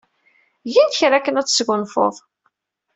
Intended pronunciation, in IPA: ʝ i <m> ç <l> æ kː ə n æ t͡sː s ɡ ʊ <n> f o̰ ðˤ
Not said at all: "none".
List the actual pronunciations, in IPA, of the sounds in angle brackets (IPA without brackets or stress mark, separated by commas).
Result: n, ɾ, n